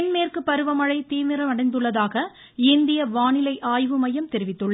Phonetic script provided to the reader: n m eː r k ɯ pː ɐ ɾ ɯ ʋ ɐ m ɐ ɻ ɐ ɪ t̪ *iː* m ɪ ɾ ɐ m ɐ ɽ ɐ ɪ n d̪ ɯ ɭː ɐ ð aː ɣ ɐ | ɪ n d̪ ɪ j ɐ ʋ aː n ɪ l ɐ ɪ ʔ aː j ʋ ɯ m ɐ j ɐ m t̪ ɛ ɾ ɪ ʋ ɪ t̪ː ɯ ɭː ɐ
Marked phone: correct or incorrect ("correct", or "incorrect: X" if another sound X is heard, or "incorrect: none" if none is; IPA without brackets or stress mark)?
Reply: correct